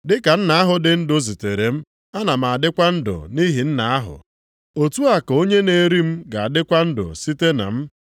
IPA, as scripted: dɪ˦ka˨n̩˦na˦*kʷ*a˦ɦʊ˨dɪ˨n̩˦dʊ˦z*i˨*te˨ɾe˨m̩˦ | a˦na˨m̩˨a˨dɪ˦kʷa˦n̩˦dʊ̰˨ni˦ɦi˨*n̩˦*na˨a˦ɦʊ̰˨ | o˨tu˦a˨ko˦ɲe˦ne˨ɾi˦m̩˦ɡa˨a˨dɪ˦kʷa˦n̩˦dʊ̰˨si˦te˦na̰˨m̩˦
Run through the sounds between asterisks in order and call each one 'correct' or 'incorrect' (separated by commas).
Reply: incorrect, correct, correct